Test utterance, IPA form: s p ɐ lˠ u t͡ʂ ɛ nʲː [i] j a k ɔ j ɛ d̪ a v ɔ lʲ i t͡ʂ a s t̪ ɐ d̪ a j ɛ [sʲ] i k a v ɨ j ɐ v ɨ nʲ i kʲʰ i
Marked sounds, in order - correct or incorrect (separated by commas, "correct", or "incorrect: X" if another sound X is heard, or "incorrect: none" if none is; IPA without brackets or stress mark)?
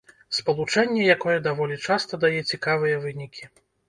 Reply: incorrect: ɛ, incorrect: t͡sʲ